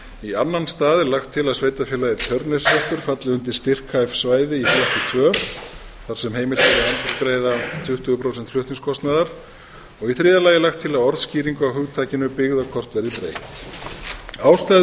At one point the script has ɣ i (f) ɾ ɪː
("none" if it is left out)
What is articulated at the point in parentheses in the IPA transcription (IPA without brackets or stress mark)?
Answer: θ